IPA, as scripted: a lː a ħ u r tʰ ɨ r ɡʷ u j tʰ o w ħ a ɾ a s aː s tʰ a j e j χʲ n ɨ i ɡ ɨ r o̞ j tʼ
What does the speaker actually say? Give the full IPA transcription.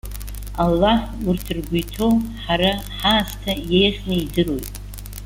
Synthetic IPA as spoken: a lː a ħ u r tʰ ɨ r ɡʷ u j tʰ o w ħ a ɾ a ħ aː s tʰ a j e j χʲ n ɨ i d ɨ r o̞ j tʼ